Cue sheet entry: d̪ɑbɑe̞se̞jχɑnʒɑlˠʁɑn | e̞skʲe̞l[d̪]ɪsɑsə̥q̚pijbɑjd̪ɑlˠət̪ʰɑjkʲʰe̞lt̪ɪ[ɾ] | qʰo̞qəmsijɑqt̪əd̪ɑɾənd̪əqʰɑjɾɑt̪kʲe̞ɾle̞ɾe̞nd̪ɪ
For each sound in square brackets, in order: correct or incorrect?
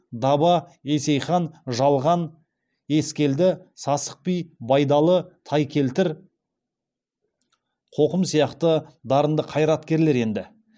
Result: correct, correct

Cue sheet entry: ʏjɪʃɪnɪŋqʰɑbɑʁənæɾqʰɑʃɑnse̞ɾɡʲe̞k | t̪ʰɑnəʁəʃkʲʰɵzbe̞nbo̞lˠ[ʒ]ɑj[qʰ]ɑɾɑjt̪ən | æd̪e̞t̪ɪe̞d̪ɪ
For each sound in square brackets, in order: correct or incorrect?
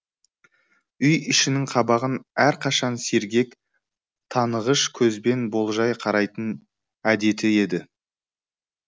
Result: correct, correct

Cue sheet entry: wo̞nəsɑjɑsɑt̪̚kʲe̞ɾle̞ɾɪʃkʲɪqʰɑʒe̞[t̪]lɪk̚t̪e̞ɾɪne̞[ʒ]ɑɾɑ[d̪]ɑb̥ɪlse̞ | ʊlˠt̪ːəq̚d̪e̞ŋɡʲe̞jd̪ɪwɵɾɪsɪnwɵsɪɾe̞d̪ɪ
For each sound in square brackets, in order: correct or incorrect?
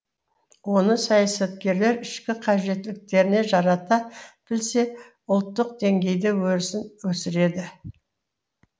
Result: correct, correct, incorrect

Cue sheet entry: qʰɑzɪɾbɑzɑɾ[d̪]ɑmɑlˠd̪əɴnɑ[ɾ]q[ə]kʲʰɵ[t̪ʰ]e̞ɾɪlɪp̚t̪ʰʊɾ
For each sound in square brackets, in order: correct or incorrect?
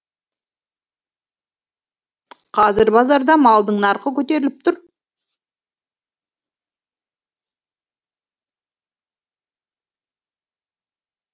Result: correct, correct, correct, incorrect

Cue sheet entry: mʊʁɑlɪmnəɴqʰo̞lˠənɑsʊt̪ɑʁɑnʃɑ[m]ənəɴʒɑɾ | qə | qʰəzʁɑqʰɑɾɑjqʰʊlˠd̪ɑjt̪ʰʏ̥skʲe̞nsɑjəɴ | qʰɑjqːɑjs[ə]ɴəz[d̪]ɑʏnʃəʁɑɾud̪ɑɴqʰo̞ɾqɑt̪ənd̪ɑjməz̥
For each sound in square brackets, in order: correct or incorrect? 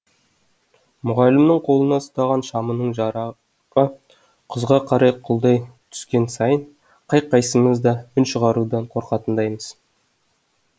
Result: correct, correct, correct

